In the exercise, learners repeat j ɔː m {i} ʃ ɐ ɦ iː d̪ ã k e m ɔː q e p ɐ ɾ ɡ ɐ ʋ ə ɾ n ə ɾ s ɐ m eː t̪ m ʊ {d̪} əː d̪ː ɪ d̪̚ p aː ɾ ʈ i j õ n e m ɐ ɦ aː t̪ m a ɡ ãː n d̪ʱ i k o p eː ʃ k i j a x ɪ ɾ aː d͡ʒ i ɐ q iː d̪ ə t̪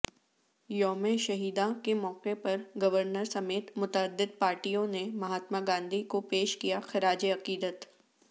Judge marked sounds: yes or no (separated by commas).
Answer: no, no